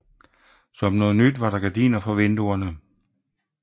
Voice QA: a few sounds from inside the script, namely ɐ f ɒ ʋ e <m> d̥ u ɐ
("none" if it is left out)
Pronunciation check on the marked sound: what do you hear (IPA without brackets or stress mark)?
n